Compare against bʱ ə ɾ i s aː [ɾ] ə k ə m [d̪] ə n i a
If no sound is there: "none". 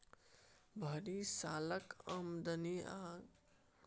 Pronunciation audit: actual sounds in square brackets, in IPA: l, d̪

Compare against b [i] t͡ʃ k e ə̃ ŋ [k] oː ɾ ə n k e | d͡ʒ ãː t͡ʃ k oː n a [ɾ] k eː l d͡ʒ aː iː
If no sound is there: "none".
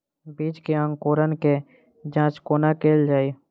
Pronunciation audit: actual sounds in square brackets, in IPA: iː, k, none

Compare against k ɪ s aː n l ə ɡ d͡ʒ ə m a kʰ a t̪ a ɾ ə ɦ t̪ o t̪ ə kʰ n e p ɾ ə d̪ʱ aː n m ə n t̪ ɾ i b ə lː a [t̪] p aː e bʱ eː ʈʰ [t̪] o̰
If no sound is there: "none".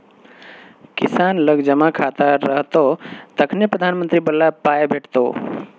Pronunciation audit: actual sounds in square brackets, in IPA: none, t̪

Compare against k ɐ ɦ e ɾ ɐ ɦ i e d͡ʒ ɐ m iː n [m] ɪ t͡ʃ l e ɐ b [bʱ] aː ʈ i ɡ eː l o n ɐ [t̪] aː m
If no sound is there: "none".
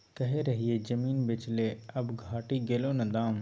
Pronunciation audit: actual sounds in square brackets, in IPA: b, ɡʱ, d̪

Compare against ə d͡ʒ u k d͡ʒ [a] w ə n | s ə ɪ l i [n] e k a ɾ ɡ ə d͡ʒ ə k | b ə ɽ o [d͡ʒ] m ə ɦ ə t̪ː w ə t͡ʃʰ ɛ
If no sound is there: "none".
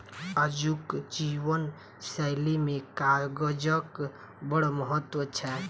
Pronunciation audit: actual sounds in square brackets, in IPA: i, m, none

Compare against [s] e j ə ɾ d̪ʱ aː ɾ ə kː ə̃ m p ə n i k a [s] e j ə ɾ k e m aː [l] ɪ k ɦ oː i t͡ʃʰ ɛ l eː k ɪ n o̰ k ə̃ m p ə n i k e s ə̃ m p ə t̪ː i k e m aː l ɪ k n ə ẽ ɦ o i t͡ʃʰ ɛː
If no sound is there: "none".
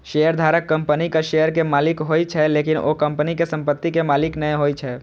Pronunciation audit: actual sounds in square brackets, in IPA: ʃ, ʃ, l

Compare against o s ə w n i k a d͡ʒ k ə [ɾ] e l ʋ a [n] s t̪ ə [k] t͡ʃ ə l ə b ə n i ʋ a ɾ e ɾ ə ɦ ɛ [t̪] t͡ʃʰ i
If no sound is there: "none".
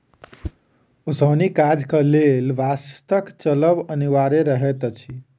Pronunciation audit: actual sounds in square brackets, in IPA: l, none, k, t̪

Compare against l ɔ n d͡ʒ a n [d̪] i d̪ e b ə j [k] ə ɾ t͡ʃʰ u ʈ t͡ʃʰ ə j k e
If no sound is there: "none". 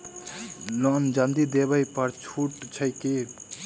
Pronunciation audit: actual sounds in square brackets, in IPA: d̪, p

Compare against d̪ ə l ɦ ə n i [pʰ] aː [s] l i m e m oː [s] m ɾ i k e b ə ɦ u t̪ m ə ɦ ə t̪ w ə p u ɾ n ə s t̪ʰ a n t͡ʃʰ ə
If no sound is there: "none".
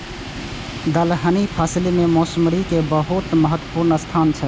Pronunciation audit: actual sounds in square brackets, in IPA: pʰ, s, s

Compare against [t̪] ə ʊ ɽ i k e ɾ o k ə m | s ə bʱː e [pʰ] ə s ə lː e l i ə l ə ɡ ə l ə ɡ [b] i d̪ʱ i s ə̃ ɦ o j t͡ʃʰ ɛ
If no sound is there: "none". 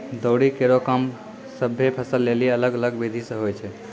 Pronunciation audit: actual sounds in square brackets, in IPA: d̪, pʰ, b

